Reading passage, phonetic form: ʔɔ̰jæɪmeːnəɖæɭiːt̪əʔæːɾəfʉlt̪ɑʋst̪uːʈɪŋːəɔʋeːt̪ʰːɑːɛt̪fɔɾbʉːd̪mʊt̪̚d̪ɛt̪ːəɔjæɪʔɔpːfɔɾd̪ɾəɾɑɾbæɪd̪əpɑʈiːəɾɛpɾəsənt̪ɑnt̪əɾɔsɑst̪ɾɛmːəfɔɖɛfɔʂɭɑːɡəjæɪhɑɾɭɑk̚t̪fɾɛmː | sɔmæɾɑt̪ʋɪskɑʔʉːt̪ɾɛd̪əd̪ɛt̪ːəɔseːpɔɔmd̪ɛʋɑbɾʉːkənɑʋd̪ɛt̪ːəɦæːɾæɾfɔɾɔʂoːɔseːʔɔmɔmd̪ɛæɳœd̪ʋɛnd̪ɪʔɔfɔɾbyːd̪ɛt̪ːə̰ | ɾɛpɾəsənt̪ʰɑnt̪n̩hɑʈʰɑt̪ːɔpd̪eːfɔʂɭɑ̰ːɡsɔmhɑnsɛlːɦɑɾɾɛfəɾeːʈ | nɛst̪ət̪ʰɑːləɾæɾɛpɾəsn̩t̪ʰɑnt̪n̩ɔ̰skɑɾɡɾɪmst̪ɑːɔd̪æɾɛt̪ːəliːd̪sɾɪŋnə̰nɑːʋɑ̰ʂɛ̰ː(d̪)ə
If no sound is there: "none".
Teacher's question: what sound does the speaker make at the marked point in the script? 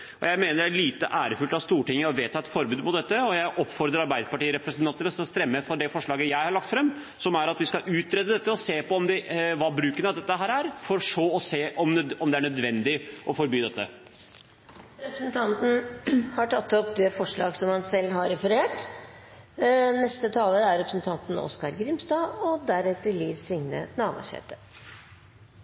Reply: t̪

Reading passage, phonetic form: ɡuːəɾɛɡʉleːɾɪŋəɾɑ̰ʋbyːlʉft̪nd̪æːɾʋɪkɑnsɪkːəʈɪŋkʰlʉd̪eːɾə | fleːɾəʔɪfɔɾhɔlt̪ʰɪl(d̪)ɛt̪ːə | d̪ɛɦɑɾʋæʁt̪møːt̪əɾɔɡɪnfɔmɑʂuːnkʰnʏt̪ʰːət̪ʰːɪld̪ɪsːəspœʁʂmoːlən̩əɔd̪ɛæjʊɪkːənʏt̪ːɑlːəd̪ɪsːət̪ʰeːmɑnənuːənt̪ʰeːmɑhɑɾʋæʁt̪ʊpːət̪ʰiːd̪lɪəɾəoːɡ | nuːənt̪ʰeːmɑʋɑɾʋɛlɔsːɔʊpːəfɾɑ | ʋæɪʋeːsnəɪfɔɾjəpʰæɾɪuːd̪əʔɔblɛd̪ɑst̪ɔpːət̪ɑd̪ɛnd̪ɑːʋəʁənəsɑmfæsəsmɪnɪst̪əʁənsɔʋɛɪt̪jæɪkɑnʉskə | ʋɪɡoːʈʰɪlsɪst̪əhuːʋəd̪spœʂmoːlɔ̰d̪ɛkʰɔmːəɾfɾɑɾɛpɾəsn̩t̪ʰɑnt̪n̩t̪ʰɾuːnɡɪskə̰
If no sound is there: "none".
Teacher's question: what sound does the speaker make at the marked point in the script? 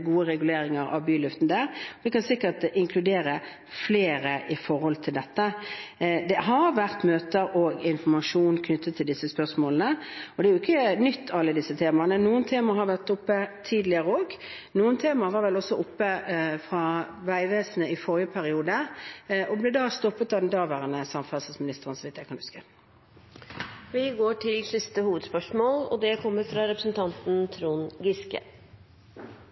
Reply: d̪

